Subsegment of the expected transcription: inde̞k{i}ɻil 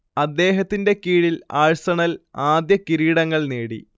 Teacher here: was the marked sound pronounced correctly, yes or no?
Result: no